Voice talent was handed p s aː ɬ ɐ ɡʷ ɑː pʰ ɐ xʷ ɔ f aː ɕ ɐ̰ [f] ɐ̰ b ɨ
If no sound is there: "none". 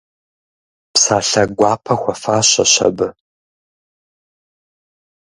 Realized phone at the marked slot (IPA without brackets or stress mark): ɕ